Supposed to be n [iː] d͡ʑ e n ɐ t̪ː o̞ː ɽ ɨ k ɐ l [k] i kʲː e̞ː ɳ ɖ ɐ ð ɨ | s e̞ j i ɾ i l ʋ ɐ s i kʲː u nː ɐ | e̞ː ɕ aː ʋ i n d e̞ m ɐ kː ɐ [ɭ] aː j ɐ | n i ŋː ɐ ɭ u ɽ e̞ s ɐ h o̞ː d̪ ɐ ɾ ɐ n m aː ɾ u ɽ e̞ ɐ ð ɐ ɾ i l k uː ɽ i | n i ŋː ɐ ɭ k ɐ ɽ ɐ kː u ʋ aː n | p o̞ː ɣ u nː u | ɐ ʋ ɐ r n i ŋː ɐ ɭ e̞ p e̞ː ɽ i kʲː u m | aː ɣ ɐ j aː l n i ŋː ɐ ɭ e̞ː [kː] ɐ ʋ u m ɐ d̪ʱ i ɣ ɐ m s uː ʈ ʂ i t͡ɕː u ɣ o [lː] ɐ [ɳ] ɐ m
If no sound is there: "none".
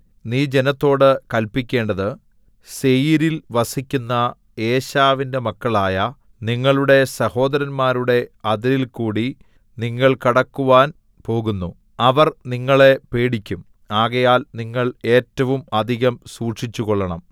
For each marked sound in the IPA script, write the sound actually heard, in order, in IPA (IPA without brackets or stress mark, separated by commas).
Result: iː, p, ɭ, tː, ɭː, ɳ